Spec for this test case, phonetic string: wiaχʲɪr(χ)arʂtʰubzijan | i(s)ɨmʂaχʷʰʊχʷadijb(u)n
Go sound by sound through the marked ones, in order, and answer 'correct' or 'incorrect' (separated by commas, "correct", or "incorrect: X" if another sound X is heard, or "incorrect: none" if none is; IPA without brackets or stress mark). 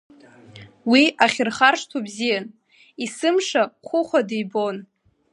correct, correct, incorrect: o